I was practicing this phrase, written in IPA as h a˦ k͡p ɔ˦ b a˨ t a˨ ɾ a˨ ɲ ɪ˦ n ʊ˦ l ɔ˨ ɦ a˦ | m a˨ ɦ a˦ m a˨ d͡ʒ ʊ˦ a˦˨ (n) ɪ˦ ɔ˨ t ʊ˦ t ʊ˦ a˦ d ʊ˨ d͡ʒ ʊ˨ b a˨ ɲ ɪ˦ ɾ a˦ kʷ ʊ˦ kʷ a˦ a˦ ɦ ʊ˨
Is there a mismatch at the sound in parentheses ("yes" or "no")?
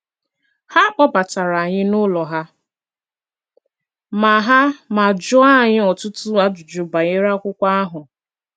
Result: yes